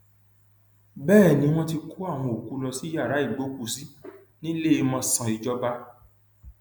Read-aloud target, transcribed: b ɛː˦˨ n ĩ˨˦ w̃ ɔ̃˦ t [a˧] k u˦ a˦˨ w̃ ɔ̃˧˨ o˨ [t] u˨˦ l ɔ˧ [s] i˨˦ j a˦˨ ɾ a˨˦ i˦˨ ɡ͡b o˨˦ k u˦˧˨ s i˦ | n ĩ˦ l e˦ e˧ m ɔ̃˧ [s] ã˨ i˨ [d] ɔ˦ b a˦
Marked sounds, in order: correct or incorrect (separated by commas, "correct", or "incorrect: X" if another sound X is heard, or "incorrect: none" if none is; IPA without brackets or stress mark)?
incorrect: i˧, incorrect: k, correct, correct, incorrect: d͡ʒ